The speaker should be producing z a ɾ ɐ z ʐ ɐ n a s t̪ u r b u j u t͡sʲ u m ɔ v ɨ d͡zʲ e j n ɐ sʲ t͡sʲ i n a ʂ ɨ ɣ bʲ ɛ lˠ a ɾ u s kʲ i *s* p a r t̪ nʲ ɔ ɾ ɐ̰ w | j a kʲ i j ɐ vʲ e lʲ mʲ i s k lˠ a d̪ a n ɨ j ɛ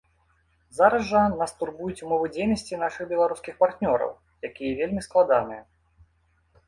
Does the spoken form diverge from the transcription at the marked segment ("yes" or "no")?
yes